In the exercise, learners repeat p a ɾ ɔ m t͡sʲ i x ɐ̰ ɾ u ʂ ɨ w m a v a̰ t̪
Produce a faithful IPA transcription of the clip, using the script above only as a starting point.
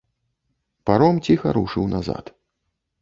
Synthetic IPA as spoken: p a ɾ ɔ m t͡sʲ i x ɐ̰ ɾ u ʂ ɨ w n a z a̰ t̪